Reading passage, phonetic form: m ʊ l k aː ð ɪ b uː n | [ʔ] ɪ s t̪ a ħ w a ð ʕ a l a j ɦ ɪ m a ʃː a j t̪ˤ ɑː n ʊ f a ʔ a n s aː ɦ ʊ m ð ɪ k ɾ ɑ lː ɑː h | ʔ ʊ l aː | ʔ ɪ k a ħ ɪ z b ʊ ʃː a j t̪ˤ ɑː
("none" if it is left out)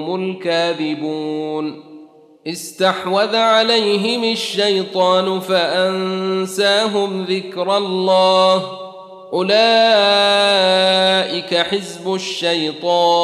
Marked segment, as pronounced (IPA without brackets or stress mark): ʔ